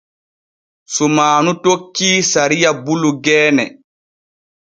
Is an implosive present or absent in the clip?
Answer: absent